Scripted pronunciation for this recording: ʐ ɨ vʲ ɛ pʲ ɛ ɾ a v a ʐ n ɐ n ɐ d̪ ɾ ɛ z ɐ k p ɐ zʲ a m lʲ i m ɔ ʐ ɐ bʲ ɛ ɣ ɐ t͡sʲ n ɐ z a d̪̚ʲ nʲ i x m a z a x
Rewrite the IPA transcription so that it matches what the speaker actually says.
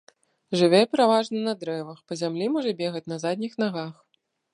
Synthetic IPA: ʐ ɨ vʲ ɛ pʲ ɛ ɾ a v a ʐ n ɐ n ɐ d̪ ɾ ɛ v ɐ x p ɐ zʲ a m lʲ i m ɔ ʐ ɐ bʲ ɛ ɣ ɐ t͡sʲ n ɐ z a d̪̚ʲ nʲ i x n a ɣ a x